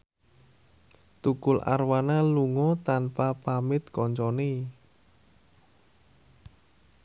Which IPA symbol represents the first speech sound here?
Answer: t̪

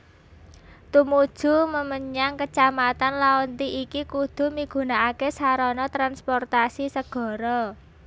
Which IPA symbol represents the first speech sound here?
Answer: t̪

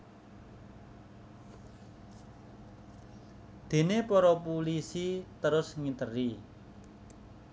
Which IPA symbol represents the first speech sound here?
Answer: d̪̥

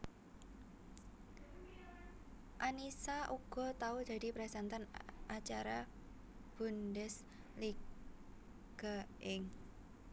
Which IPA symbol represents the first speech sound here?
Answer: ʔ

